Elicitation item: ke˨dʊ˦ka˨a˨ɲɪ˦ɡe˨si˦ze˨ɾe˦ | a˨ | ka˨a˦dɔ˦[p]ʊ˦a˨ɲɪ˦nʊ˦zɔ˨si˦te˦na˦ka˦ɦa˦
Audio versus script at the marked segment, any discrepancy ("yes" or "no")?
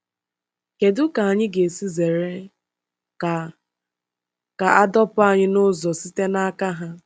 no